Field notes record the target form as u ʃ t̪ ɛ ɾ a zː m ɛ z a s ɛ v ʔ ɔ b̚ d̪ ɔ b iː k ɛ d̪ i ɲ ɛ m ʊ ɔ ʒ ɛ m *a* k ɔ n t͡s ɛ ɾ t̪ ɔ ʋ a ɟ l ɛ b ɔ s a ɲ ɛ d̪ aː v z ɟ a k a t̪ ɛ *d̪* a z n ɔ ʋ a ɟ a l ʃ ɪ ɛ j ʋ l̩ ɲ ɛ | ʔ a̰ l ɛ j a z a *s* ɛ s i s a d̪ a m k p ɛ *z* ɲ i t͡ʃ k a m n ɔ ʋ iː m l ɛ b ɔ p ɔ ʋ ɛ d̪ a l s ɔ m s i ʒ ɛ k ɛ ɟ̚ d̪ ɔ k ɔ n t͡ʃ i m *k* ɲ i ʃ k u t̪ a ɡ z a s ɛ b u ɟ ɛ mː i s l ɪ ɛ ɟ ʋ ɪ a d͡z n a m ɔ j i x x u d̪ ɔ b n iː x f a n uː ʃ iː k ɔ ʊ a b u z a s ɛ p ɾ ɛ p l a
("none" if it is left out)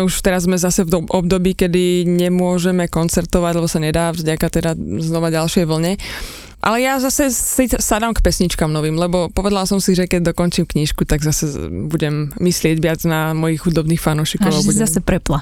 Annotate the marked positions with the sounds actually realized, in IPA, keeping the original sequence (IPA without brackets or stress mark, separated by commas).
ɛ, d̪, s, s, k